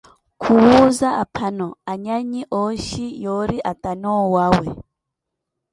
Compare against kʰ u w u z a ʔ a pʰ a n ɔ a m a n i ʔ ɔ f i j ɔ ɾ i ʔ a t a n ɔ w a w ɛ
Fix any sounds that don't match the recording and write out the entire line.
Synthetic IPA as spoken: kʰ u w u z a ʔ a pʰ a n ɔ a ɲ a ɲ i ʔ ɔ ʃ i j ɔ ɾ i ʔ a t a n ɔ w a w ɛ